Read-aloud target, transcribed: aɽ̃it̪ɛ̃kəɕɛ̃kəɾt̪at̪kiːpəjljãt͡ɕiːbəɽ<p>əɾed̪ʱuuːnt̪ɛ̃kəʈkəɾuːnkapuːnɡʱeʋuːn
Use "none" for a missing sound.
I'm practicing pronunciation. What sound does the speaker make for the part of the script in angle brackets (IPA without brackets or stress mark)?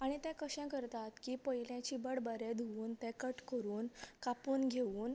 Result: b